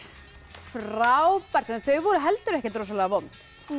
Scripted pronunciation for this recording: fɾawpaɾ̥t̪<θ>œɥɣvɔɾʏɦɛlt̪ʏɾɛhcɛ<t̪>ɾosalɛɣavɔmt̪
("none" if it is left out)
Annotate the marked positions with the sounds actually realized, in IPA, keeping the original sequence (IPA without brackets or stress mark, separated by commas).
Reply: θ, t̪